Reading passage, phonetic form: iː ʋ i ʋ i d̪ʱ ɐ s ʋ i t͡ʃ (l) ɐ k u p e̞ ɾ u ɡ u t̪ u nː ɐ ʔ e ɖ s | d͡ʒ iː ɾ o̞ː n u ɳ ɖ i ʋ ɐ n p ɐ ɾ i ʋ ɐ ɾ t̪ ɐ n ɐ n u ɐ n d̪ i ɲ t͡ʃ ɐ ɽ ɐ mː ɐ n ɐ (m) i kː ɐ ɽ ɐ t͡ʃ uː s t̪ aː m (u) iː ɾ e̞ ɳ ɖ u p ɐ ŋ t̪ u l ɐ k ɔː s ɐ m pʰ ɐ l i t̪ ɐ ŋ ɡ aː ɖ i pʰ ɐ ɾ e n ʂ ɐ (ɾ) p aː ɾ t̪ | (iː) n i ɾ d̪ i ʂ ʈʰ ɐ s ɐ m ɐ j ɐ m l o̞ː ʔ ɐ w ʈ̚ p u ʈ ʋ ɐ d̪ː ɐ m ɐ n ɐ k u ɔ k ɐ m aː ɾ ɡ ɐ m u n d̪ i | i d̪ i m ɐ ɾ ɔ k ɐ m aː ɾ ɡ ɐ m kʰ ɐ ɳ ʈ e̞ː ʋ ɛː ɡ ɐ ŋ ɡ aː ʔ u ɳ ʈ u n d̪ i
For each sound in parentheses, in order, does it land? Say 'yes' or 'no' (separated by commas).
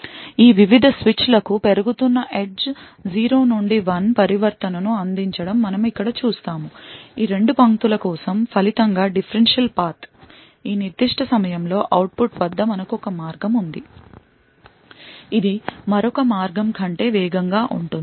yes, yes, yes, no, yes